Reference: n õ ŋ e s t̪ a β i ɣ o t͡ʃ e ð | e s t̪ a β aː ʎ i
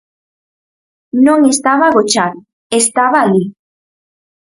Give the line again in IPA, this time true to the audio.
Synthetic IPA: n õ ŋ e s t̪ a β a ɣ o t͡ʃ a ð | e s t̪ a β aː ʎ i